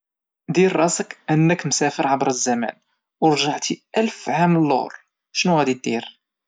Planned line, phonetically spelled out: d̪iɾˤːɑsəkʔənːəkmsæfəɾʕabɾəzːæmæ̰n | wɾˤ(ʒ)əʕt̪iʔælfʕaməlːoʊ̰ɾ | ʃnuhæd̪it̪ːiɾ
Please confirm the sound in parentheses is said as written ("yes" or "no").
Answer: yes